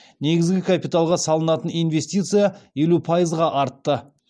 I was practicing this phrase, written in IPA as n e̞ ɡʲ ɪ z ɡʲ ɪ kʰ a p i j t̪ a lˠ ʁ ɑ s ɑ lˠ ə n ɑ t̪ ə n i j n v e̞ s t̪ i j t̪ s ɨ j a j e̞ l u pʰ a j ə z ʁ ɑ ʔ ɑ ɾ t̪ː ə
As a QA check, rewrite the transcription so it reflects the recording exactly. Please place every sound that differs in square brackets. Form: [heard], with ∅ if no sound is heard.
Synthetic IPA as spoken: n e̞ ɡʲ ɪ z ɡʲ ɪ kʰ a p i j t̪ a lˠ ʁ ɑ s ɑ lˠ ə n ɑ t̪ ə n i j n v e̞ s t̪ i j t̪ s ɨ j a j e̞ l u pʰ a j ə z ʁ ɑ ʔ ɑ ɾ t̪ː ə